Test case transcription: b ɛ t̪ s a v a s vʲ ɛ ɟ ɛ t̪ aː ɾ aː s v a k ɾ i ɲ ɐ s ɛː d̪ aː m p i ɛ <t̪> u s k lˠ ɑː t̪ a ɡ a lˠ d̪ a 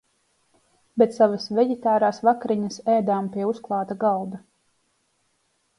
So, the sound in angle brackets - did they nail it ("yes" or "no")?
no